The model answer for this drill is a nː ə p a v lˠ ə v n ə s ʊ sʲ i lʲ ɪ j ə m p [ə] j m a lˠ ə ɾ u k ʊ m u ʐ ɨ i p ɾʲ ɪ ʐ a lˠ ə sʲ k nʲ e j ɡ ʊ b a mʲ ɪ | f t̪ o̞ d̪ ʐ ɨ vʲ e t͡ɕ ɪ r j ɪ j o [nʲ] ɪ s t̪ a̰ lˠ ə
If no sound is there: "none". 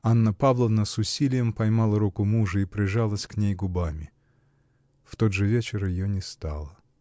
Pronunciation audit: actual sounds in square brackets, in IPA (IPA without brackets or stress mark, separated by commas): ɐ, nʲ